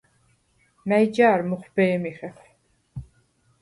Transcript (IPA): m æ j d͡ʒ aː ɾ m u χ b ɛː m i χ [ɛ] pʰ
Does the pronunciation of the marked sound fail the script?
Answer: no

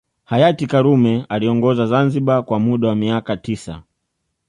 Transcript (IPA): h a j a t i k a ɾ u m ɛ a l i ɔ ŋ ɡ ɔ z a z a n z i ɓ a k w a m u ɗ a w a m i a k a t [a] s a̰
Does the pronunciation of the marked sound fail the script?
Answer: yes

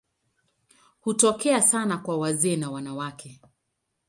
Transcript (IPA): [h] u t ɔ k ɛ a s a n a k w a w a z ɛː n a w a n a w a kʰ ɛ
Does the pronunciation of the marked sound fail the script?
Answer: no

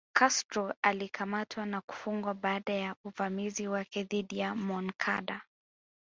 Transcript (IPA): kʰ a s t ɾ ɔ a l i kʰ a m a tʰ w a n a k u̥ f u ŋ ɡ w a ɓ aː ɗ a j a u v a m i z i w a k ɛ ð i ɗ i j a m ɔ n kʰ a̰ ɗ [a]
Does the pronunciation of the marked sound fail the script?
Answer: no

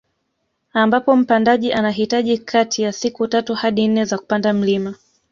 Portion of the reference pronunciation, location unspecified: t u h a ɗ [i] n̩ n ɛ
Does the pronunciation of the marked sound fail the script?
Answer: no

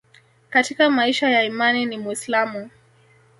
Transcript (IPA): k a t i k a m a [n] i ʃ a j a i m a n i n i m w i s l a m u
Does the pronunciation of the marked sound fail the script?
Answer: yes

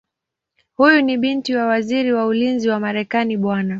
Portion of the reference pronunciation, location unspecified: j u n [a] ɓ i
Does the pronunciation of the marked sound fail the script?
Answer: yes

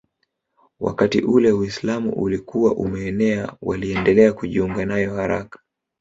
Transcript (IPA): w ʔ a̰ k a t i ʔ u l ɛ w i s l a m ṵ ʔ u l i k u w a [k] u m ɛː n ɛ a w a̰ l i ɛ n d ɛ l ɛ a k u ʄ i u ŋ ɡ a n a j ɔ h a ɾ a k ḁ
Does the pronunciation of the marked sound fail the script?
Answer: yes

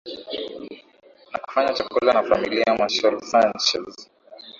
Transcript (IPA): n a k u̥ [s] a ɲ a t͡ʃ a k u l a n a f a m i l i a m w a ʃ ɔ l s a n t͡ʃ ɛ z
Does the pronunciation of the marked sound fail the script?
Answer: yes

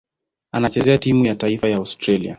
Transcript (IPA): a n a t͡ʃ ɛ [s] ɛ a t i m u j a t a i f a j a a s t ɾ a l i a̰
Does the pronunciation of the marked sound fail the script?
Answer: yes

